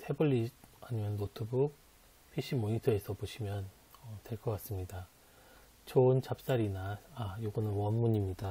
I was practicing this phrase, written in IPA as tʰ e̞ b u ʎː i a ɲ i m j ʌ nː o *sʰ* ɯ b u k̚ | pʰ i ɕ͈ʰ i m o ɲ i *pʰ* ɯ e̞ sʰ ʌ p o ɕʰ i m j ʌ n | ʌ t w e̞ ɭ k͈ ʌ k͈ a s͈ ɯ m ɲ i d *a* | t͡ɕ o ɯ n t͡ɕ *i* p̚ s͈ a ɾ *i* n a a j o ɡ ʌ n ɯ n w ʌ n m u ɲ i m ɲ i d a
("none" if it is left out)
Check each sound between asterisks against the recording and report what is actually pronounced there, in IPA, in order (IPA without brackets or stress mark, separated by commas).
tʰ, tʰ, a, a, i